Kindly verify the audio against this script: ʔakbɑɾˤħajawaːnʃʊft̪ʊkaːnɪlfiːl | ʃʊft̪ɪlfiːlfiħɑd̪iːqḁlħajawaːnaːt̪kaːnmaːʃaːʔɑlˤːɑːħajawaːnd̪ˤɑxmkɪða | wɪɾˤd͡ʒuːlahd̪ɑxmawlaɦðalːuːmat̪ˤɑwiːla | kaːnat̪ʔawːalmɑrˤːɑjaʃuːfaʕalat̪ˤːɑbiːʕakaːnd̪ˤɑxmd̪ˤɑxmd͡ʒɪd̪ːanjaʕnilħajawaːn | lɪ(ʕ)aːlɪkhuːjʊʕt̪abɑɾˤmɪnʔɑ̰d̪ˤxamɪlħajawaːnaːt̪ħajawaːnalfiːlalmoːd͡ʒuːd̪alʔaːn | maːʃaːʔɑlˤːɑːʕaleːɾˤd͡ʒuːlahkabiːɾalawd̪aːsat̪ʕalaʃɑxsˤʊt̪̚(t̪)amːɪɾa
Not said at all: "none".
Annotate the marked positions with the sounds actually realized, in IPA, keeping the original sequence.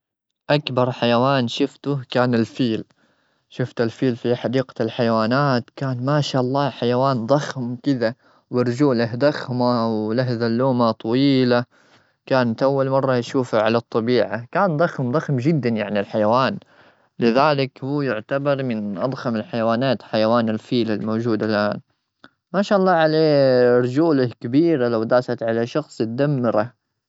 ð, d̪

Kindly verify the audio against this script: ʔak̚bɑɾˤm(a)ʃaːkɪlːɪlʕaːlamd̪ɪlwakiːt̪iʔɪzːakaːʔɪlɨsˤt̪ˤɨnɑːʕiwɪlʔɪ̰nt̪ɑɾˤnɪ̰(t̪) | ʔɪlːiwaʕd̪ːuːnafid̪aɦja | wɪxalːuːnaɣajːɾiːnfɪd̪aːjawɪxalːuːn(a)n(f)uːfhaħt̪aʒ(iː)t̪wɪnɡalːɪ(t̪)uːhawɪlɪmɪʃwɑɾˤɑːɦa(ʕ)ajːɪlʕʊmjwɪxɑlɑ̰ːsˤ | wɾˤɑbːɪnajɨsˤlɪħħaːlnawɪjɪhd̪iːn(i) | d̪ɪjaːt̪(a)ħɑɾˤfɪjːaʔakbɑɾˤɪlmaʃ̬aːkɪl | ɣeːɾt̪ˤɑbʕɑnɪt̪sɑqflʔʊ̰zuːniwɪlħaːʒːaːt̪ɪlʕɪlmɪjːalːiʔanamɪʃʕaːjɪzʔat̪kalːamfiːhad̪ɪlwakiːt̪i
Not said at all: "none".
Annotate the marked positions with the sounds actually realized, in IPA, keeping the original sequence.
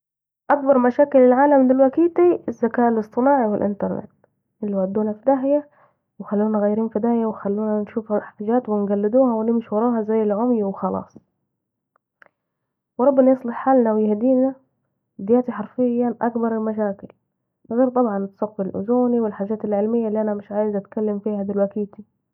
a, t̪, a, ʃ, aː, d̪, z, a, i

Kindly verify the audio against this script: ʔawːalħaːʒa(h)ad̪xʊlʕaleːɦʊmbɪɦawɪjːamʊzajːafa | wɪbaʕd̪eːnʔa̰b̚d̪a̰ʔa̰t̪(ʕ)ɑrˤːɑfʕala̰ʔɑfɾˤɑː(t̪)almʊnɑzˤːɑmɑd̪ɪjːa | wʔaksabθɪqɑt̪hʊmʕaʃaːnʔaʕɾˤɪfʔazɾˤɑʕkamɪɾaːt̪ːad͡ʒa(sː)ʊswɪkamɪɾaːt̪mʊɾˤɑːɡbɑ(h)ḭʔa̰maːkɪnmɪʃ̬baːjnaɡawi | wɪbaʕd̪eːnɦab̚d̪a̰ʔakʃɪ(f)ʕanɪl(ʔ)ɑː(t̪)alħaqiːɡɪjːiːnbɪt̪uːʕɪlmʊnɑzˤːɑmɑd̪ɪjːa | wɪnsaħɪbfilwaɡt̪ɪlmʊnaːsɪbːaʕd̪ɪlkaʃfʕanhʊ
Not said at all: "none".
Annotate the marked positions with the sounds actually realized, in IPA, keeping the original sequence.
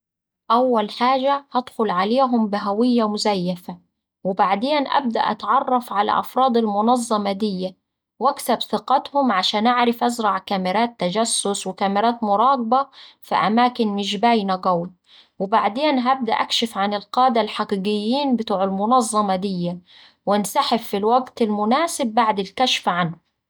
h, ʕ, d̪, sː, f, f, q, d̪

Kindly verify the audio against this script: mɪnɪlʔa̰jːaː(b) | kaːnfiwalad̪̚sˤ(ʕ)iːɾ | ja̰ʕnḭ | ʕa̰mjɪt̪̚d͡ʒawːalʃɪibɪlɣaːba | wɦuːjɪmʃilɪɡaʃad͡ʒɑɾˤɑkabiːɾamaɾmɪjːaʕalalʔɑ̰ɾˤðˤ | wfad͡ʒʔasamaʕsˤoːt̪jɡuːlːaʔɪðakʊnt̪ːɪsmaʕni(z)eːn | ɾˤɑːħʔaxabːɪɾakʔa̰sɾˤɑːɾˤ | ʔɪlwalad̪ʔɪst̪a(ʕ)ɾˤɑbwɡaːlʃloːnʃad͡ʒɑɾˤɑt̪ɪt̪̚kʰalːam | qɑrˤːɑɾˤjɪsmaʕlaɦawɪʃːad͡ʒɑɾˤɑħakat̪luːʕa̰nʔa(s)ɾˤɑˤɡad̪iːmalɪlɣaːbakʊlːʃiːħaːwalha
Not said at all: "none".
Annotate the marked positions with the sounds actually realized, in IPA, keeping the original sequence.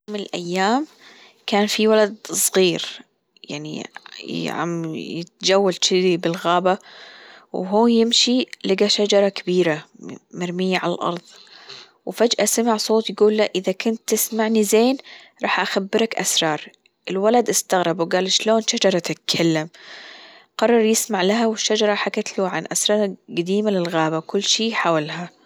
m, ɣ, z, ɣ, s

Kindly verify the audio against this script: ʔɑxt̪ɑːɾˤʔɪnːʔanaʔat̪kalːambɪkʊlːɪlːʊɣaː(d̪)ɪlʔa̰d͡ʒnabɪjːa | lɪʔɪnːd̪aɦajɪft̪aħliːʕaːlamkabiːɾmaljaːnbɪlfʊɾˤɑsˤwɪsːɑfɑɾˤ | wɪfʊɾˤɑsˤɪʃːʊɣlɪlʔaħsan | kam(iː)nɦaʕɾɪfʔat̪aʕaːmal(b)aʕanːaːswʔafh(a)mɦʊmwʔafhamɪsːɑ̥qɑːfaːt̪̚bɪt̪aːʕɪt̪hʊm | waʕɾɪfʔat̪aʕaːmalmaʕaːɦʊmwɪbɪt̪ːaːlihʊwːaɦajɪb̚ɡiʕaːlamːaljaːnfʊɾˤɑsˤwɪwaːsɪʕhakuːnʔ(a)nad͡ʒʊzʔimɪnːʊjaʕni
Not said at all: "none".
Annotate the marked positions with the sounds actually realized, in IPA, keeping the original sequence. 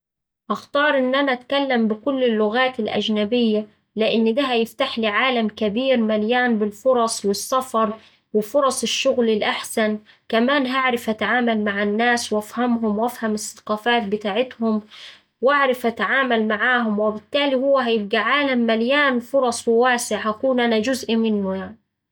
t̪, aː, m, a, a

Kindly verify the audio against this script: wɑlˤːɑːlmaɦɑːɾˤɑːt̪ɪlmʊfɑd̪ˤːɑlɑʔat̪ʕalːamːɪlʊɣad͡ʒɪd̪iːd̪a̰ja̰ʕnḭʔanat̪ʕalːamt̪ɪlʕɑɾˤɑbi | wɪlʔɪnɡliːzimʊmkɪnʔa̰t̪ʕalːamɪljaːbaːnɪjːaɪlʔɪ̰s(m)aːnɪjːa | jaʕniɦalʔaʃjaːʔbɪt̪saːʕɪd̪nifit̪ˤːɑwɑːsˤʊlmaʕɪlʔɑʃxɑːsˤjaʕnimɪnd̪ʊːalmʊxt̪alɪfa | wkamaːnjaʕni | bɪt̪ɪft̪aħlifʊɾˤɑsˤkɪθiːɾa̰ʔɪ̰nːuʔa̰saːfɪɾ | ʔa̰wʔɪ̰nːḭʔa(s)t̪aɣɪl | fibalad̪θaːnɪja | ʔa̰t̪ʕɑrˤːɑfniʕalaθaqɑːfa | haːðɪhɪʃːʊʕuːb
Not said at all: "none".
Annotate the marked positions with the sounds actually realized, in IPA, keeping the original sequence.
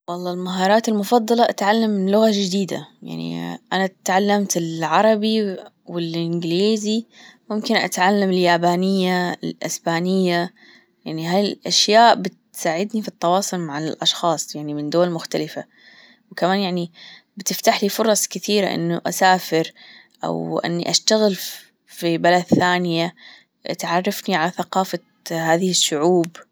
b, ʃ

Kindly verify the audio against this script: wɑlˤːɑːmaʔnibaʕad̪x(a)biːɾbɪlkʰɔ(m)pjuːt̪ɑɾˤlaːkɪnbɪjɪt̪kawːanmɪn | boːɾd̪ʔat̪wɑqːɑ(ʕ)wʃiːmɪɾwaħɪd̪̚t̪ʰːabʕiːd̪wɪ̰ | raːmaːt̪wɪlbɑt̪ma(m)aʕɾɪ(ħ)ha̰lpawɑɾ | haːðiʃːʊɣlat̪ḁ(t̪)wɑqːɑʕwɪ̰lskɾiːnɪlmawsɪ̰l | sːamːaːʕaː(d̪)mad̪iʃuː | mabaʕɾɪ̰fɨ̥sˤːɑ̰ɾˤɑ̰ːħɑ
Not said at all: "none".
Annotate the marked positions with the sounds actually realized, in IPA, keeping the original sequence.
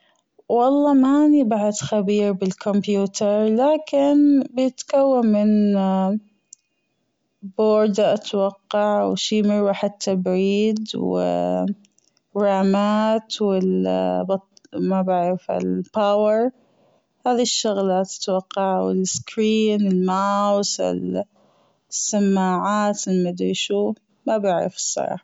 a, m, ʕ, b, f, t̪, t̪

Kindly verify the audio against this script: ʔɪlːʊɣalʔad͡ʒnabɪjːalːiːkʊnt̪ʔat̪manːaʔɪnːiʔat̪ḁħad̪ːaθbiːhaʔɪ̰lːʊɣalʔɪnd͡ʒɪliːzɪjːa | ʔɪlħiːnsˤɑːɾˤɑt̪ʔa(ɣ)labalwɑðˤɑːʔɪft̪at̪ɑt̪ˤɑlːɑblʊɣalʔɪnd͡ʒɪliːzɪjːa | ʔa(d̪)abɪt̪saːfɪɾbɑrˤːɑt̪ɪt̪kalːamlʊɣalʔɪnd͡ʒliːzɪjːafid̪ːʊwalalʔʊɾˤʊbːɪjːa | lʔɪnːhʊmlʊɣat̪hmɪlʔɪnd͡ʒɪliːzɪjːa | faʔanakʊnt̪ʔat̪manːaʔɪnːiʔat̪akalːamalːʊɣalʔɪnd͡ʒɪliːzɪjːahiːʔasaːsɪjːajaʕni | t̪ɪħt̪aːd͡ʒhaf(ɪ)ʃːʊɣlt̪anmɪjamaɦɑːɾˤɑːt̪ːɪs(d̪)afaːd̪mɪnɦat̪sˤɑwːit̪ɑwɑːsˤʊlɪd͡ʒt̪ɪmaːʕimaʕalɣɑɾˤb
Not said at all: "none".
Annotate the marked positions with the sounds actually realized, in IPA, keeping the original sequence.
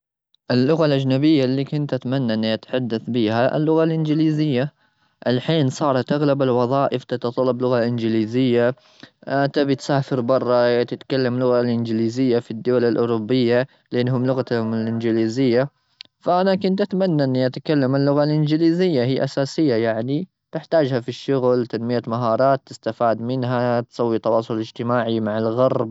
ɣ, t̪, i, t̪

